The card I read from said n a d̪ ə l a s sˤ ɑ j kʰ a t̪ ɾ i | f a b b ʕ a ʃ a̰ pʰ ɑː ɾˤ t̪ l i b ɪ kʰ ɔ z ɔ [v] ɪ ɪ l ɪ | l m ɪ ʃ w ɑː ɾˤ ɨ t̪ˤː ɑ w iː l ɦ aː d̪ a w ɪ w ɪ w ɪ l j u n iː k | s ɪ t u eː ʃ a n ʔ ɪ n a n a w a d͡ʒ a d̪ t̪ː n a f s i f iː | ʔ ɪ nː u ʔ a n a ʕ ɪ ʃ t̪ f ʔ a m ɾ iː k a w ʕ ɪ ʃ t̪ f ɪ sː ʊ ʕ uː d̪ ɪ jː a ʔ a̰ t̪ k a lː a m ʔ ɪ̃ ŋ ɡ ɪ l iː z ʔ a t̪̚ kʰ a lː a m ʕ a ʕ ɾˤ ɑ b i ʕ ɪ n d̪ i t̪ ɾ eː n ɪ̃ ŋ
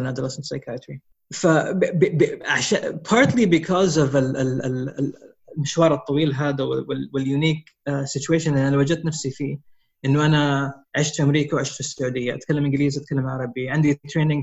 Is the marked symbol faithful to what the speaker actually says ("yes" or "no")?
yes